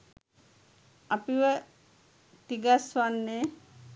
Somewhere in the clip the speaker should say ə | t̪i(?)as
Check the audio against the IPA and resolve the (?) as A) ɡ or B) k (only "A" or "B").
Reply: A